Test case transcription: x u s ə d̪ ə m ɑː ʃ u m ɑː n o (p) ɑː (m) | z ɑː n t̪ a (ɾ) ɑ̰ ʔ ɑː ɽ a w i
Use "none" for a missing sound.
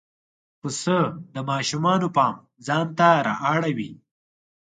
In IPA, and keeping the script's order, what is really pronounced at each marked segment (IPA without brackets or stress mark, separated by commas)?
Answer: p, m, ɾ